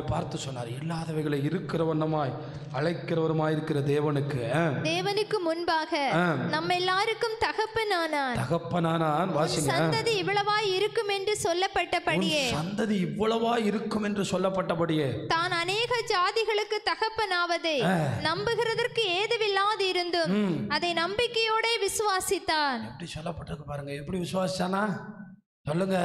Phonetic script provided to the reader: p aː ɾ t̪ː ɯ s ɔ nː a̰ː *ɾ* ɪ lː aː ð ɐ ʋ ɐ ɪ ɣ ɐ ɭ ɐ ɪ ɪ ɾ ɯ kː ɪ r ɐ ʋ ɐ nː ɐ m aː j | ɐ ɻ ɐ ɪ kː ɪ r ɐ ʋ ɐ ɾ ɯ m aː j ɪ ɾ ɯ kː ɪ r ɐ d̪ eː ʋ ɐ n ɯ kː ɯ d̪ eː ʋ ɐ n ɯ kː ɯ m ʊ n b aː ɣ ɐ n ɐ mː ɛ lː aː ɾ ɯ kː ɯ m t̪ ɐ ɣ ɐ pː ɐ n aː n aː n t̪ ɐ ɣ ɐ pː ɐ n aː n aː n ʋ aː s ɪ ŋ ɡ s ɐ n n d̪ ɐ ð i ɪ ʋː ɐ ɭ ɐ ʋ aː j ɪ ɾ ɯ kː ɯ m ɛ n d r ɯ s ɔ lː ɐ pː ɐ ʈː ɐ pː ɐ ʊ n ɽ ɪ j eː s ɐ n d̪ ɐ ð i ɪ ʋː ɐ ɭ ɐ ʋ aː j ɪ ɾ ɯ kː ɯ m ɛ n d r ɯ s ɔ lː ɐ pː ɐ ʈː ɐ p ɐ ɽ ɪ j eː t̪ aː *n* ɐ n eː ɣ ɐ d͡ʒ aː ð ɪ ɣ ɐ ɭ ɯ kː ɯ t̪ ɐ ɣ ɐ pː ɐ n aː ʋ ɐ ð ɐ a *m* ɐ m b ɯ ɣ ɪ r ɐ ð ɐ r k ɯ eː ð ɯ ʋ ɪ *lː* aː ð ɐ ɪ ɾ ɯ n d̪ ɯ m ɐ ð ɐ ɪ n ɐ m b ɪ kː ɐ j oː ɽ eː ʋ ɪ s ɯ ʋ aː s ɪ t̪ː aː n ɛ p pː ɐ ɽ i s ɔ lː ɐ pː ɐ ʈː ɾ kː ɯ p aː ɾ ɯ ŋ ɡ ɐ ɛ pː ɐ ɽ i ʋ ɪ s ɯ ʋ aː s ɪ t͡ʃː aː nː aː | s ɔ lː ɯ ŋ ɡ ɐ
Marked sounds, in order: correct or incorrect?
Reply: correct, correct, incorrect, correct

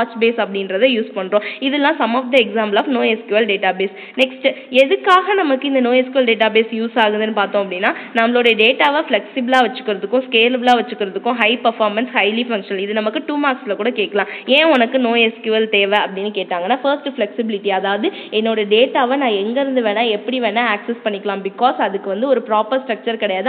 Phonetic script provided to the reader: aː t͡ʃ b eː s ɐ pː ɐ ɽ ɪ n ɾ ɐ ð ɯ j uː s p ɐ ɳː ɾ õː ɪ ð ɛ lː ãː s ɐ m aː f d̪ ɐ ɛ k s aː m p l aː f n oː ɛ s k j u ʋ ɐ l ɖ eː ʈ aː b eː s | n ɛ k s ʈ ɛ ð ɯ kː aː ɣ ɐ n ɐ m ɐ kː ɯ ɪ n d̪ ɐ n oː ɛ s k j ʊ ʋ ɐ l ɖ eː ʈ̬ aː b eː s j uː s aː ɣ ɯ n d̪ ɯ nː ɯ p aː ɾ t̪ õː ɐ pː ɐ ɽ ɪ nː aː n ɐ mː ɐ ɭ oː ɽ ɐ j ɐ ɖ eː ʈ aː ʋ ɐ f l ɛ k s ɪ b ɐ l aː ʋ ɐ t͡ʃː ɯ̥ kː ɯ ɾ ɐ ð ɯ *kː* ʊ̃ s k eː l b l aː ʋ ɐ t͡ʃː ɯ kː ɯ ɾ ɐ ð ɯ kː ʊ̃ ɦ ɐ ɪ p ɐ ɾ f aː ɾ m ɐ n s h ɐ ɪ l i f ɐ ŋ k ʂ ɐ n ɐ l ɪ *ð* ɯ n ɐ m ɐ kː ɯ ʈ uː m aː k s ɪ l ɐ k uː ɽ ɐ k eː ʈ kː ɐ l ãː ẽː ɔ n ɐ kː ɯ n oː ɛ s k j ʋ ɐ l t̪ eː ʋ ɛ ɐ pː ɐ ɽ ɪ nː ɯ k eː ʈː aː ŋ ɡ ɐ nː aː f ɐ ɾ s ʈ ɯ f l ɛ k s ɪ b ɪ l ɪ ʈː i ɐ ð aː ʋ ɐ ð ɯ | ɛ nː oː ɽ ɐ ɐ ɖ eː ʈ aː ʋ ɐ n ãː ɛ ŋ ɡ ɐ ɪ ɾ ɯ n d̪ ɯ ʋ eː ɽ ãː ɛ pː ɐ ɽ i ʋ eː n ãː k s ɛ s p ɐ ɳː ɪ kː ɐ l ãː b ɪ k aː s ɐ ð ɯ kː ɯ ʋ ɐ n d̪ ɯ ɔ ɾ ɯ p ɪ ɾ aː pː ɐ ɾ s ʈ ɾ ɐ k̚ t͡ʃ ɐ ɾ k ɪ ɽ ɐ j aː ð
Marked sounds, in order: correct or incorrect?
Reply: correct, correct

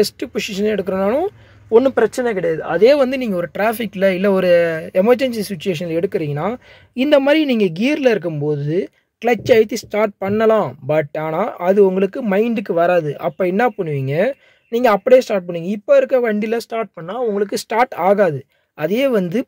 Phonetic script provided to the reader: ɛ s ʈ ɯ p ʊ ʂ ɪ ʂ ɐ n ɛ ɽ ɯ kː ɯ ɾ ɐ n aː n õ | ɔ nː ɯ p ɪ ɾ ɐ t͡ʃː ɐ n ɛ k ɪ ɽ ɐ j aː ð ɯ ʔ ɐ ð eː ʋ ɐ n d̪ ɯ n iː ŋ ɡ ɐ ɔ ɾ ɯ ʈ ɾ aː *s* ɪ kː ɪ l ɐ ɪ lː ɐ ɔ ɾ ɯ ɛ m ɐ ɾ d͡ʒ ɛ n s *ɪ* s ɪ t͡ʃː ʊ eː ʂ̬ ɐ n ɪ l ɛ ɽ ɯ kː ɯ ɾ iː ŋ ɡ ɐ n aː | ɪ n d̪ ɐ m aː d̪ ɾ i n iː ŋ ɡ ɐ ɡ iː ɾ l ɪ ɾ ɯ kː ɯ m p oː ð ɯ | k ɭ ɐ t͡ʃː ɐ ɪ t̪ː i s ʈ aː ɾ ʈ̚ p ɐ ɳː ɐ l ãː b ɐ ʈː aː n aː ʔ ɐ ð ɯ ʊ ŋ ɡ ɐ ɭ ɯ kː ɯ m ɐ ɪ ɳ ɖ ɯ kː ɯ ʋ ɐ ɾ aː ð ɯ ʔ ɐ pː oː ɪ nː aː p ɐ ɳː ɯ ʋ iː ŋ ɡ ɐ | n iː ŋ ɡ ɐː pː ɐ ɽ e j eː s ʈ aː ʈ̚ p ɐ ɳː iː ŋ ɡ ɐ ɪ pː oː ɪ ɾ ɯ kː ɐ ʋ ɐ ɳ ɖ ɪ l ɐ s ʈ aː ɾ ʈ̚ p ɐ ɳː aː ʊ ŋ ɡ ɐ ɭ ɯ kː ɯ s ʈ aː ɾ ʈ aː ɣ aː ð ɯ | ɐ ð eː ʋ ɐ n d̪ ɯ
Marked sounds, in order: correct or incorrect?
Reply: incorrect, incorrect

